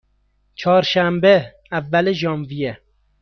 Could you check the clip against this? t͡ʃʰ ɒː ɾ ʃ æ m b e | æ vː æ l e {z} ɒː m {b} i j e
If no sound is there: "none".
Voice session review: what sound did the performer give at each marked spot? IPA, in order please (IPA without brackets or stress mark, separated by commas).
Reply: ʒ, v